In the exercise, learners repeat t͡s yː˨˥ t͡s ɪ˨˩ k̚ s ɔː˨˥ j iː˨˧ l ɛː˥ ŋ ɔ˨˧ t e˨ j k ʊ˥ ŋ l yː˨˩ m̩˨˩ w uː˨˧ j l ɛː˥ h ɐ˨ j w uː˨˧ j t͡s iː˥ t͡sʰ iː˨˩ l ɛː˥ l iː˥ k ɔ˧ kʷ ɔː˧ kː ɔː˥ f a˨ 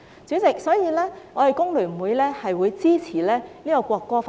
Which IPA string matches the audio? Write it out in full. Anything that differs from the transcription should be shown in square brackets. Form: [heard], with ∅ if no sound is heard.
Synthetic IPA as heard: t͡s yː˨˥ t͡s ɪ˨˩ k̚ s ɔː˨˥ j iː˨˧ l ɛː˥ ŋ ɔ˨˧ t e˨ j k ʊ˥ ŋ l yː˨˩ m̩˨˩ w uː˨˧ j l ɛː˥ h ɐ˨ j w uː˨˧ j t͡s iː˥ t͡sʰ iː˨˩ l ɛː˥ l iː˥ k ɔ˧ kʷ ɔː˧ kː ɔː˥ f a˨